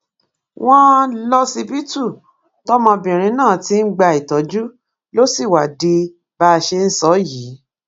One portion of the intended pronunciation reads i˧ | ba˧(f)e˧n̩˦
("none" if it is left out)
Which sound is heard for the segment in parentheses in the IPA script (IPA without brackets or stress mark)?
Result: ʃ